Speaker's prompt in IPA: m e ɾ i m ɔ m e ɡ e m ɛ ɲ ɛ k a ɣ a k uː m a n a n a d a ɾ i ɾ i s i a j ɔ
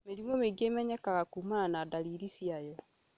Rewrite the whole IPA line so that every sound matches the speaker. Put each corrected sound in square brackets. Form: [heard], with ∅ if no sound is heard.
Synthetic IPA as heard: m e ɾ i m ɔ m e ɡ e m ɛ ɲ ɛ k a ɣ a k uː m a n a n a d a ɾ i ɾ i s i a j ɔ